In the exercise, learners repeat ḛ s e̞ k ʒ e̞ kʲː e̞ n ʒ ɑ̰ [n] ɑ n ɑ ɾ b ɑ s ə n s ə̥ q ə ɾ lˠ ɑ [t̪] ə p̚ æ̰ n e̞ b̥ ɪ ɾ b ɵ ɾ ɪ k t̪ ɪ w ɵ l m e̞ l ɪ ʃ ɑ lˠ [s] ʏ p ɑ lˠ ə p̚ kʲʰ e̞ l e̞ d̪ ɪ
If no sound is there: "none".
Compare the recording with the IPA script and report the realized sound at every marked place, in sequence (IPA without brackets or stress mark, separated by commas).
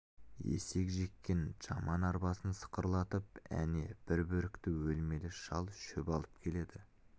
m, t̪, ʃ